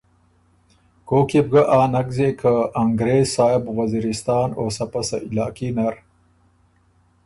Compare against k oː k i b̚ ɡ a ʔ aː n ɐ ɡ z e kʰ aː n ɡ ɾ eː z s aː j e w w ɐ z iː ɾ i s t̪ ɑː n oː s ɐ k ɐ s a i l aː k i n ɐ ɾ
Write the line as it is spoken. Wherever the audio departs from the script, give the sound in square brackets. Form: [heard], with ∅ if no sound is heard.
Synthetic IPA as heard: k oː k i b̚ ɡ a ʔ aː n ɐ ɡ z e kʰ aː [ŋ] ɡ ɾ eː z s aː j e [b] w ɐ z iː ɾ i s t̪ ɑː n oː s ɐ [p] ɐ s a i l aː k i n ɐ ɾ